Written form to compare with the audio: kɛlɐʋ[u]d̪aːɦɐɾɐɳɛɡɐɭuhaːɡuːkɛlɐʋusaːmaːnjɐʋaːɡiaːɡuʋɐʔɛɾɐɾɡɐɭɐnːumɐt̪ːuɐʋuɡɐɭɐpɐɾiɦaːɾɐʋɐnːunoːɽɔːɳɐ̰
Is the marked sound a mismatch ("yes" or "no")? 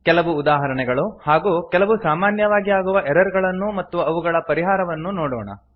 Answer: yes